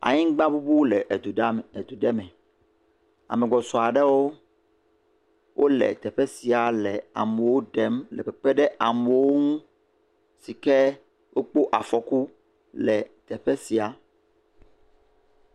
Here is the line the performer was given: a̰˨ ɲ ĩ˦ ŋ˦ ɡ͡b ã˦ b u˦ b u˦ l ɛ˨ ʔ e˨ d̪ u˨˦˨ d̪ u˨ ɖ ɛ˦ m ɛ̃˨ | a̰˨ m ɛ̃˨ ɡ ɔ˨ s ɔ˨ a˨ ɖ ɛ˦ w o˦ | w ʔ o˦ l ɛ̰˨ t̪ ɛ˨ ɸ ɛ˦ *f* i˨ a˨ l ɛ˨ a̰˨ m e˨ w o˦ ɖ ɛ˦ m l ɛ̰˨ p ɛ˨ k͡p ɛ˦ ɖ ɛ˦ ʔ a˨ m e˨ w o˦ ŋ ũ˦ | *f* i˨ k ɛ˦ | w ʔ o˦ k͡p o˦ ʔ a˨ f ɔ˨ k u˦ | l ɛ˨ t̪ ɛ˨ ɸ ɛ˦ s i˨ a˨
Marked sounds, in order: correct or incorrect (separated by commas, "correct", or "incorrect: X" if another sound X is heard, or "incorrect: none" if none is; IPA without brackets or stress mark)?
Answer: incorrect: s, incorrect: s